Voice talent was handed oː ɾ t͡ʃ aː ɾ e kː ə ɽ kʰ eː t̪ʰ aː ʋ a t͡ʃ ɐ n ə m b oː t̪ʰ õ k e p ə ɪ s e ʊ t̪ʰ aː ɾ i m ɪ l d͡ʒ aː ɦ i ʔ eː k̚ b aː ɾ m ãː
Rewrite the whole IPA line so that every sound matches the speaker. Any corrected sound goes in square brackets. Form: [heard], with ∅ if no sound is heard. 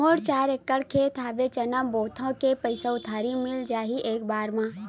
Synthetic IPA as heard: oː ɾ t͡ʃ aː ɾ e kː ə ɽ kʰ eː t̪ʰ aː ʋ [e] t͡ʃ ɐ n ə m b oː t̪ʰ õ k e p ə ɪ s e ʊ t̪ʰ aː ɾ i m ɪ l d͡ʒ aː ɦ i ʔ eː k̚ b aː ɾ m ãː